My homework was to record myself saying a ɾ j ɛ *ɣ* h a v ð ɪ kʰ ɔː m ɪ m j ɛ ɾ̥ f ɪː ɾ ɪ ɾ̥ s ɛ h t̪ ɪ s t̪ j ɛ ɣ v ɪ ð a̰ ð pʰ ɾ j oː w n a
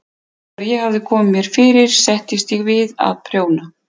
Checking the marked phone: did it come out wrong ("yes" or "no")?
no